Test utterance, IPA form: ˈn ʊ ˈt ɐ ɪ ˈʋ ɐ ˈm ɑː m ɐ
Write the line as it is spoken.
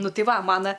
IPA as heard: ˈn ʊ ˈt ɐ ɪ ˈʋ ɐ ˈm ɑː n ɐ